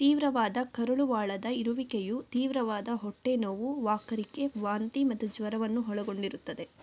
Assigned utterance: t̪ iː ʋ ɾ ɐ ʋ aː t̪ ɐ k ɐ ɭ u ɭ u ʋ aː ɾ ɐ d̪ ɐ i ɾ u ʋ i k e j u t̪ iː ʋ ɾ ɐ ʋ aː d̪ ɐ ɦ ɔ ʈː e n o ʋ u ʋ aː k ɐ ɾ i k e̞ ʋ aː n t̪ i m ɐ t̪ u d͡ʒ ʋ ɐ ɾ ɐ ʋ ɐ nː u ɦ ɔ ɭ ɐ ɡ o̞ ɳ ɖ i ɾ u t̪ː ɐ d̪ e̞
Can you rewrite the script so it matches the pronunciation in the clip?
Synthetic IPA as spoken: t̪ iː ʋ ɾ ɐ ʋ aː d̪ ɐ k ɐ ɾ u ɭ u ʋ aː ɭ ɐ d̪ ɐ i ɾ u ʋ i k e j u t̪ iː ʋ ɾ ɐ ʋ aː d̪ ɐ ɦ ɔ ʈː e n o ʋ u ʋ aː k ɐ ɾ i k e̞ ʋ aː n t̪ i m ɐ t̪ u d͡ʒ ʋ ɐ ɾ ɐ ʋ ɐ nː u ɦ ɔ ɭ ɐ ɡ o̞ ɳ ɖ i ɾ u t̪ː ɐ d̪ e̞